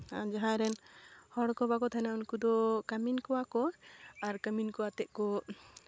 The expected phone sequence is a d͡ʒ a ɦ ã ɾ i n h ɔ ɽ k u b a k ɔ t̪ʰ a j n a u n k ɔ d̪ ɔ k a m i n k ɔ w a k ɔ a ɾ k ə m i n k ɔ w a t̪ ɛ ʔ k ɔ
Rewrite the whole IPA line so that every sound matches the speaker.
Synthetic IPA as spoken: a d͡ʒ a ɦ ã ɾ ɛ n h ɔ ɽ k ɔ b a k ɔ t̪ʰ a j n a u n k u d̪ ɔ k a m i n k ɔ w a k ɔ a ɾ k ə m i n k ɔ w a t̪ ɛ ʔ k ɔ